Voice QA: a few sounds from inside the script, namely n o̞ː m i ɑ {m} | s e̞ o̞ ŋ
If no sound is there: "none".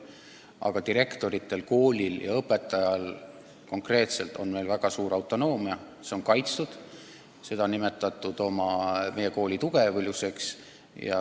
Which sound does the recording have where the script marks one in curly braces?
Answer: none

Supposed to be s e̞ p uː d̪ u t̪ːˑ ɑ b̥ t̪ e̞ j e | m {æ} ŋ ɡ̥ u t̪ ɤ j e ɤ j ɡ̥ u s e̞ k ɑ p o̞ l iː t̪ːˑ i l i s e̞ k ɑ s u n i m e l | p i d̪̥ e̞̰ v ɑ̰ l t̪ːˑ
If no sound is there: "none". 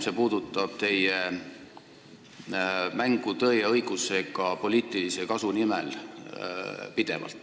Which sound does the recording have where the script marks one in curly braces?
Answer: æ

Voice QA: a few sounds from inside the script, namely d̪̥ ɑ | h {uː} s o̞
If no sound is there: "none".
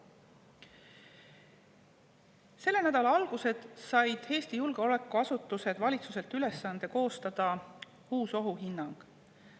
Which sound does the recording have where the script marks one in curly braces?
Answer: uː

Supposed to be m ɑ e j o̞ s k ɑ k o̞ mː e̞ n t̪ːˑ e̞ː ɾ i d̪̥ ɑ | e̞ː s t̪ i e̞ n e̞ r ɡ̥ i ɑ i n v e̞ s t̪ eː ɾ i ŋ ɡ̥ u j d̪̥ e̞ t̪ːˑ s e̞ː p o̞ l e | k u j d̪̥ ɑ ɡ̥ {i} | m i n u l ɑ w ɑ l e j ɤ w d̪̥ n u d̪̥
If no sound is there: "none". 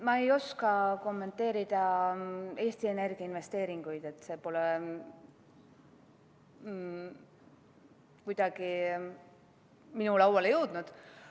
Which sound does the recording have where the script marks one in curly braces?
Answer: i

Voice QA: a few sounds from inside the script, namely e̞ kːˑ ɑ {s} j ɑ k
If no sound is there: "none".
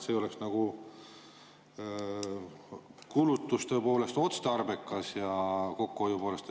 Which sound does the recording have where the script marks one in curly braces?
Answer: s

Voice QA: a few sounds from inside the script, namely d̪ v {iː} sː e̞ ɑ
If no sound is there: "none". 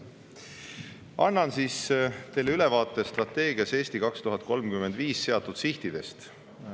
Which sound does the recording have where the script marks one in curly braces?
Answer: iː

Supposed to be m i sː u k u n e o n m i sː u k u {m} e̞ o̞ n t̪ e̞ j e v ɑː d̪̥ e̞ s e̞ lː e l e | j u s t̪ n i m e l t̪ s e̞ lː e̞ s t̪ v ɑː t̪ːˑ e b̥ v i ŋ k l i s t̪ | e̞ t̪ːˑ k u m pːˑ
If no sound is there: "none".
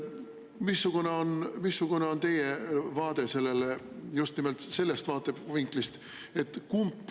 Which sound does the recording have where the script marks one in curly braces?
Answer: n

